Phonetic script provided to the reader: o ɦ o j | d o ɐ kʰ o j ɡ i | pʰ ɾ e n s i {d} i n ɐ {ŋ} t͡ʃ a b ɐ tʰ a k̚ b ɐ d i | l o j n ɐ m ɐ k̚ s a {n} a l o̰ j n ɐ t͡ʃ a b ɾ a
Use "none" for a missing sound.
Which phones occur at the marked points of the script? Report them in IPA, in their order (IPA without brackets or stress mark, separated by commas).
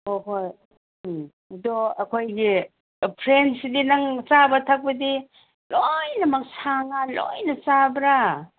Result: d, ŋ, ŋ